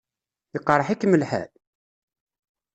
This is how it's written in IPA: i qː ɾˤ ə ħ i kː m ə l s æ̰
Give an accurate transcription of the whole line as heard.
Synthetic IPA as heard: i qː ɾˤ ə ħ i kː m ə l ħ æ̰